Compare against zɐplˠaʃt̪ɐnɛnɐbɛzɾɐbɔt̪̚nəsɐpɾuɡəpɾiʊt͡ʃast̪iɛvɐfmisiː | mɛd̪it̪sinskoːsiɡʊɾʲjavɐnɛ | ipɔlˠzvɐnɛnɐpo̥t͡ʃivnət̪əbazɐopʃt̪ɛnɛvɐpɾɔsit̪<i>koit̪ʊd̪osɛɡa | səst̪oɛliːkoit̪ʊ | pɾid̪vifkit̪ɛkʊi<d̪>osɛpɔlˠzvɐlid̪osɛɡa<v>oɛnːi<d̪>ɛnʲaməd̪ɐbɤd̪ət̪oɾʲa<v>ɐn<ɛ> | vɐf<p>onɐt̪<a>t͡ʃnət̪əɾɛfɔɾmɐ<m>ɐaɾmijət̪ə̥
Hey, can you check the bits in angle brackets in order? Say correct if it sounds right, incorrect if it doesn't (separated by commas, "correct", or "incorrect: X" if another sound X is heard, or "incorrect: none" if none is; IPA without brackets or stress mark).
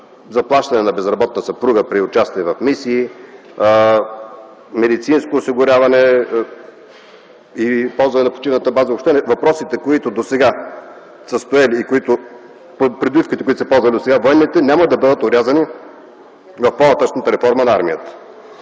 incorrect: ɛ, incorrect: t̪, correct, incorrect: t̪, incorrect: z, incorrect: i, correct, correct, incorrect: n